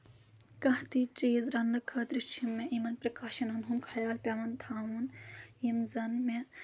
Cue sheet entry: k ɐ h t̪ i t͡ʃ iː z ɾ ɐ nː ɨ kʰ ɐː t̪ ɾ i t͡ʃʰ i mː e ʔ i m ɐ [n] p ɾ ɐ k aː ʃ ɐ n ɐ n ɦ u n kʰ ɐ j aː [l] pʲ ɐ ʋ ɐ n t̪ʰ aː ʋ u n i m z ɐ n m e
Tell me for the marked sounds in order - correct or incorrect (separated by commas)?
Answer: correct, correct